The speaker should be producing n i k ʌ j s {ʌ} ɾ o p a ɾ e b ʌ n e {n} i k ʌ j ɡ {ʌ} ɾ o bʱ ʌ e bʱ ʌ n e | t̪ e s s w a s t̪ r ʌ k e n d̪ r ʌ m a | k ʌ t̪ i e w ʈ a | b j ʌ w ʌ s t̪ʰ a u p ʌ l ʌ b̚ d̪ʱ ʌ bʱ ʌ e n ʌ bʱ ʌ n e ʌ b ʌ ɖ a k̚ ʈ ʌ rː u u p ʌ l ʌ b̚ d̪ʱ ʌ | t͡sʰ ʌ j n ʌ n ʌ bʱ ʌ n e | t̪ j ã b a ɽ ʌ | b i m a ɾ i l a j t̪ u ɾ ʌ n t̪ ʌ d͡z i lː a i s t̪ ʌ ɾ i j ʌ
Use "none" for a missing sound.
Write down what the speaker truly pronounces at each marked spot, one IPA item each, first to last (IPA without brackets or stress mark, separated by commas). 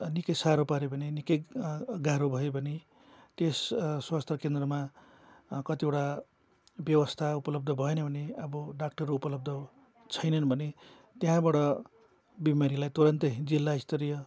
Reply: a, n, a